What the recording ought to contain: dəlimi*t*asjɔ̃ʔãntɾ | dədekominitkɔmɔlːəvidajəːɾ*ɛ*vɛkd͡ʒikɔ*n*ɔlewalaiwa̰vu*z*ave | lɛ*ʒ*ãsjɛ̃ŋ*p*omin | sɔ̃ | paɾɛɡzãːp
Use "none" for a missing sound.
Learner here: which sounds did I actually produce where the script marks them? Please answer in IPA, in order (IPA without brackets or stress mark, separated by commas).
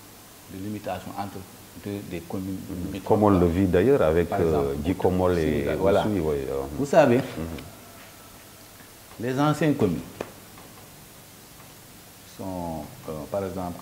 t, a, m, s, z, k